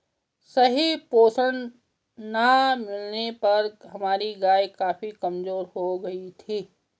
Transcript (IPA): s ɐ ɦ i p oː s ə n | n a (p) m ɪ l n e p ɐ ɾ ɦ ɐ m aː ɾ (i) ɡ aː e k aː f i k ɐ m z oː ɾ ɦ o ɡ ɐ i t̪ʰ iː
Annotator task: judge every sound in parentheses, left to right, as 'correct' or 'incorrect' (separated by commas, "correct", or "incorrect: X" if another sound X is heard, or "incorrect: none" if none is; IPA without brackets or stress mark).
incorrect: none, correct